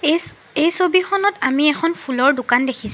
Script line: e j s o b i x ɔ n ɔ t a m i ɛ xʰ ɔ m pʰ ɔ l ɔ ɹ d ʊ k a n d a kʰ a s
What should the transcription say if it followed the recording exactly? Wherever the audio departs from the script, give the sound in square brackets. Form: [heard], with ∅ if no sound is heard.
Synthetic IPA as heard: e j s o b i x ɔ n ɔ t a m i ɛ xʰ ɔ [n] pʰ [u] l ɔ ɹ d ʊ k a n d [e] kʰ [i] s